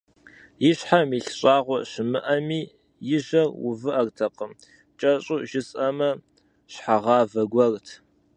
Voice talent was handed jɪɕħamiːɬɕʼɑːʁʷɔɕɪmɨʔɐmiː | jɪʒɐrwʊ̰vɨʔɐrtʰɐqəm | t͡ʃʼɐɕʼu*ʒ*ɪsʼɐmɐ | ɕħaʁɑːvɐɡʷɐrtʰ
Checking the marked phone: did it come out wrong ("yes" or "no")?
no